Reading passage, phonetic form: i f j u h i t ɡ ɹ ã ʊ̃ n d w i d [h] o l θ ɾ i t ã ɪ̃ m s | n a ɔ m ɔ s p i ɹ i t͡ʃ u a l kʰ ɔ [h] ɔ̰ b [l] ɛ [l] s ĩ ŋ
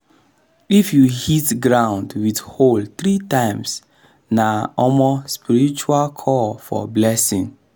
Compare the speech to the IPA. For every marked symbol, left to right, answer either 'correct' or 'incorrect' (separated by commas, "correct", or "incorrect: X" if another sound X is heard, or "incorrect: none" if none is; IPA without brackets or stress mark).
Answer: correct, incorrect: f, correct, incorrect: none